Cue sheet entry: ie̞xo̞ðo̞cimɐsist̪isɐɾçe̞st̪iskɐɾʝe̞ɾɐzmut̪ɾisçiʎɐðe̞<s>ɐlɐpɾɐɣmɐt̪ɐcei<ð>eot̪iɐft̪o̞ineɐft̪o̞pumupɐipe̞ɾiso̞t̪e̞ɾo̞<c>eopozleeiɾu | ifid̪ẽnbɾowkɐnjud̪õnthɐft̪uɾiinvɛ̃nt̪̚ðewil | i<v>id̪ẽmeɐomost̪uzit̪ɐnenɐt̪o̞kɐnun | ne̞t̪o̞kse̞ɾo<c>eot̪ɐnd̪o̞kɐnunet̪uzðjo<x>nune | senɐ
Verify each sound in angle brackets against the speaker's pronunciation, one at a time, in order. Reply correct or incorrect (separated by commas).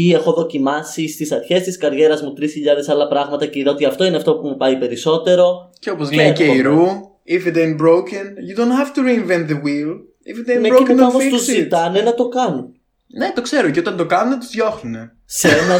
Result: correct, correct, correct, incorrect, correct, correct